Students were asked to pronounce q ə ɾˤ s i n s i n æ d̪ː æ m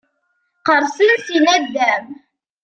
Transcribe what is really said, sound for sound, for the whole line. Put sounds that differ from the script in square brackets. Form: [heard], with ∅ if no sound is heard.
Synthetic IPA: q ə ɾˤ s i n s i n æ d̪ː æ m